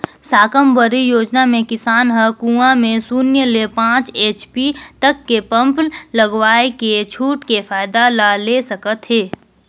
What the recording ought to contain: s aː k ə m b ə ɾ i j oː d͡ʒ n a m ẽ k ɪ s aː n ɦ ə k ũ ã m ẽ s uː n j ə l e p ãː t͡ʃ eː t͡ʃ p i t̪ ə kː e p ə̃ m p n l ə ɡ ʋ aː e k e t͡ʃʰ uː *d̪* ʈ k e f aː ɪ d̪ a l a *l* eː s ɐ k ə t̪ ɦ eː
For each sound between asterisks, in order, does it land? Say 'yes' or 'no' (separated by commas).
no, yes